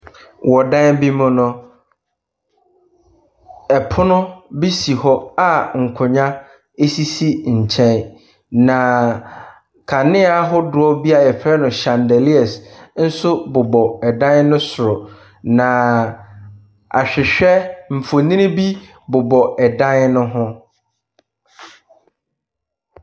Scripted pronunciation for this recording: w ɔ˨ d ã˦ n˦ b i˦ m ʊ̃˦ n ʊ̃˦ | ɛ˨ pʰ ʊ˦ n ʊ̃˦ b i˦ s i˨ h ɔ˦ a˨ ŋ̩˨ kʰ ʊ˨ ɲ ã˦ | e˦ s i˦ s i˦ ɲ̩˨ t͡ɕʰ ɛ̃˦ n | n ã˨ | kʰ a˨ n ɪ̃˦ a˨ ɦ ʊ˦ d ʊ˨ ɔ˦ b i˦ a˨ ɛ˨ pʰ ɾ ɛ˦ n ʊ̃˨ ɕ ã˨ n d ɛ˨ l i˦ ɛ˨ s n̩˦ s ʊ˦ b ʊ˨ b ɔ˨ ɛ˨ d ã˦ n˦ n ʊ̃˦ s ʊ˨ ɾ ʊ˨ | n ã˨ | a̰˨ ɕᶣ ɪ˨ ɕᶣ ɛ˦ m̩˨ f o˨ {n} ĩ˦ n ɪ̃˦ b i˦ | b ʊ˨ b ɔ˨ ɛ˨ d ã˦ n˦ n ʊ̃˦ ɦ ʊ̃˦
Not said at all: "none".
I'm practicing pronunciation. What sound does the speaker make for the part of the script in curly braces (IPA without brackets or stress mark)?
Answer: n